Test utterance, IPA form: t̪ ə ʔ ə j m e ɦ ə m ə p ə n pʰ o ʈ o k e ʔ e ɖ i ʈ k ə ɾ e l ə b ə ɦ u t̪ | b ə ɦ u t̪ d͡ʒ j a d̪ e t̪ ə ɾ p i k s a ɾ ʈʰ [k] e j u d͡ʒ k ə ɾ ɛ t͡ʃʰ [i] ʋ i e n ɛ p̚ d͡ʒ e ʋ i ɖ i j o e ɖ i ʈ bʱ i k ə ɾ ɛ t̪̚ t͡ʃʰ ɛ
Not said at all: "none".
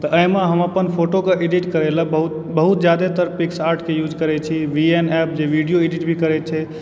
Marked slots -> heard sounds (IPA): k, i

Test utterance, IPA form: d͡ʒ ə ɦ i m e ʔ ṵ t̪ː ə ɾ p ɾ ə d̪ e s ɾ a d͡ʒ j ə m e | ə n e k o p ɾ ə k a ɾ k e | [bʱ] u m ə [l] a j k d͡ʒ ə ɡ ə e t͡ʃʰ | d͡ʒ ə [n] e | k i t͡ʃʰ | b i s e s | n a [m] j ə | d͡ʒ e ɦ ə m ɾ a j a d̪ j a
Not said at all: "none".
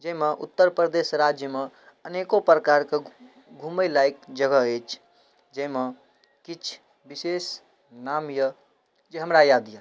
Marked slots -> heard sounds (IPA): ɡʱ, l, m, m

